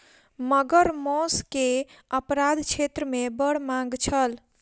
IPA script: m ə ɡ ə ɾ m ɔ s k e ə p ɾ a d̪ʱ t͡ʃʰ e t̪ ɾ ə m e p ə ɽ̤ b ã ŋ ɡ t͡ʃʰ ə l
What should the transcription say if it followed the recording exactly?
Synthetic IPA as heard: m ə ɡ ə ɾ m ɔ s k e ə p ɾ a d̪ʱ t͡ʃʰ e t̪ ɾ ə m e b ə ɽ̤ m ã ŋ ɡ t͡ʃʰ ə l